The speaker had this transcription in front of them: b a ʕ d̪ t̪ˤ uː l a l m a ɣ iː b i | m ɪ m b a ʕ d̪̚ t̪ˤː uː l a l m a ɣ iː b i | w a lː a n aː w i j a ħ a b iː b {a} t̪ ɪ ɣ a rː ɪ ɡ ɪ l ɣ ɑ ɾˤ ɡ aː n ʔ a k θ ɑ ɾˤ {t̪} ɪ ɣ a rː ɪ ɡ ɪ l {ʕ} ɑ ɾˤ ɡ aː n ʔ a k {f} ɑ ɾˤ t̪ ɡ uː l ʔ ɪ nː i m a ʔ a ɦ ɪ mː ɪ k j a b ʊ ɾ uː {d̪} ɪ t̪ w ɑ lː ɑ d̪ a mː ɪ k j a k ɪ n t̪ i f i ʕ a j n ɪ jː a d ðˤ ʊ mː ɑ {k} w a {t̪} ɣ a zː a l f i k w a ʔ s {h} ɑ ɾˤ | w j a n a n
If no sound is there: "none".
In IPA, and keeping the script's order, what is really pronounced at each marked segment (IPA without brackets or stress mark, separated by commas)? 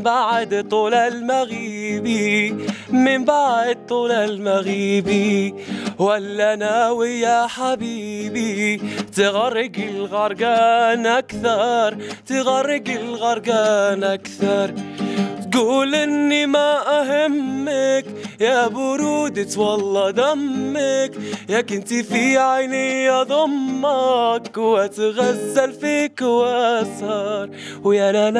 i, t̪, ɣ, θ, d̪, k, t̪, h